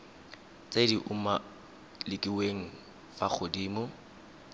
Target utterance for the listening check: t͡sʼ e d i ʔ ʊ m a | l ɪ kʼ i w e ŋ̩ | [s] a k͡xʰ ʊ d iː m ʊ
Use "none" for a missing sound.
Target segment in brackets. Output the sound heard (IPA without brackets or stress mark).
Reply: f